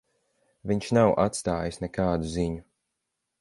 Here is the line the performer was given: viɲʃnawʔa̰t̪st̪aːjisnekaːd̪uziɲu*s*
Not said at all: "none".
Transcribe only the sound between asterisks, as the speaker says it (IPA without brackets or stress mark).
none